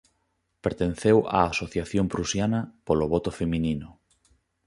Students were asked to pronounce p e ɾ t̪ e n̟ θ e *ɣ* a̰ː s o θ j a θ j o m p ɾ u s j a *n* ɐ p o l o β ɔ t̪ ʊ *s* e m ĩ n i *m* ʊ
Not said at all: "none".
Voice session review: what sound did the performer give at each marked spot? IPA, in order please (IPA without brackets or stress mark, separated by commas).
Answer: w, n, f, n